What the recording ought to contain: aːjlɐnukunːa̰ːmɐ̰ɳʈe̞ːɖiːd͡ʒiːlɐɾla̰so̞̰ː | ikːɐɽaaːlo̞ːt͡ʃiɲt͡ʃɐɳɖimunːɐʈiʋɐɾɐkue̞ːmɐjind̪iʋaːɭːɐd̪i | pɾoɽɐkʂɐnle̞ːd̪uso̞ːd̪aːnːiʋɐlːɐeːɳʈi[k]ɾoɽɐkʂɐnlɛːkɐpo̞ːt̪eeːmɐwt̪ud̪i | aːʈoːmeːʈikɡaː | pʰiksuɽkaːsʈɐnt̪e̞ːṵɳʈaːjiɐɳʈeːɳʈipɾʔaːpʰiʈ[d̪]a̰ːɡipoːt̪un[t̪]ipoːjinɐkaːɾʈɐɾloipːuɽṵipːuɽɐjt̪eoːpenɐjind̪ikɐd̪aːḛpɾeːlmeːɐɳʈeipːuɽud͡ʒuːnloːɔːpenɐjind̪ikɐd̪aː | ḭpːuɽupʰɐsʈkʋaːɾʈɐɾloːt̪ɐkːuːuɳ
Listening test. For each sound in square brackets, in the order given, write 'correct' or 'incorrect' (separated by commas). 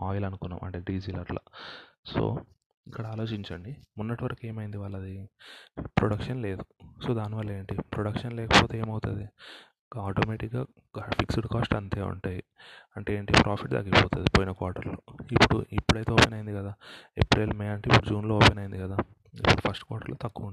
incorrect, correct, incorrect